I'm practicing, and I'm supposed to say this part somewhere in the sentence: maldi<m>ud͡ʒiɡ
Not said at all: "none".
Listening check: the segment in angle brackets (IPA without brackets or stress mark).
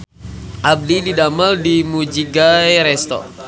m